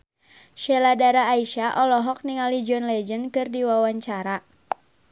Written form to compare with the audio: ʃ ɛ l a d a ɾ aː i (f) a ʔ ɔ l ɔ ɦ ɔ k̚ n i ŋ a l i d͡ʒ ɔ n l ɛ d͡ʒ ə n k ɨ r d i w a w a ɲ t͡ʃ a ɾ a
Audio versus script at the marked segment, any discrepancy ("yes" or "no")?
yes